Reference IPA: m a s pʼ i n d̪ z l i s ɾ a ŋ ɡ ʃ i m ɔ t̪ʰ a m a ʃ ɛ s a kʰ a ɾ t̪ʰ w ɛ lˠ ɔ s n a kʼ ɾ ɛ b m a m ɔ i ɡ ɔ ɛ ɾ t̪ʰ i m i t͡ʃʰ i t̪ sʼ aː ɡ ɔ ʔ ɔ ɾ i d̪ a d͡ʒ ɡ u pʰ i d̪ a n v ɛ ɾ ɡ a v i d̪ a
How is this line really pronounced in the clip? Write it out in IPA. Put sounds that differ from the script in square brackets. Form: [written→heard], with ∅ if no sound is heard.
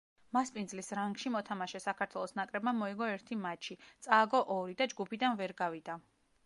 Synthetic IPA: m a s pʼ i n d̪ z l i s ɾ a ŋ ɡ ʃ i m ɔ t̪ʰ a m a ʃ ɛ s a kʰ a ɾ t̪ʰ w ɛ lˠ ɔ s n a kʼ ɾ ɛ b m a m ɔ i ɡ ɔ ɛ ɾ t̪ʰ i m [i→a] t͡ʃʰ i t̪ sʼ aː ɡ ɔ ʔ ɔ ɾ i d̪ a d͡ʒ ɡ u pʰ i d̪ a n v ɛ ɾ ɡ a v i d̪ a